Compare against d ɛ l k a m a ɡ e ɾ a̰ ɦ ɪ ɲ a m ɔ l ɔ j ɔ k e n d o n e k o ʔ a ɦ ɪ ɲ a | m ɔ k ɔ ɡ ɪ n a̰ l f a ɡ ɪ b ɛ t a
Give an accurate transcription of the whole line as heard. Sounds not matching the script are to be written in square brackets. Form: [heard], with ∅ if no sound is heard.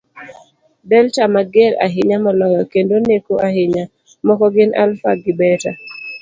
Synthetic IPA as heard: d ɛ l [t] a m a ɡ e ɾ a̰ ɦ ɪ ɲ a m ɔ l ɔ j ɔ k e n d o n e k o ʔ a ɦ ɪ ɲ a | m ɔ k ɔ ɡ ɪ n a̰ l f a ɡ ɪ b ɛ t a